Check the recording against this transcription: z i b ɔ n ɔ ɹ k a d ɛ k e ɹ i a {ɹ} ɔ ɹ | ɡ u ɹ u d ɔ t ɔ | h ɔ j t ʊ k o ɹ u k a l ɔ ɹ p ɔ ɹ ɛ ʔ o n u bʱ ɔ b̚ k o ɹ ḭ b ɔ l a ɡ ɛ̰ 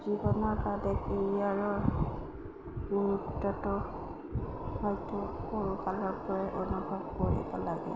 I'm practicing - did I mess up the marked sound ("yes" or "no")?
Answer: no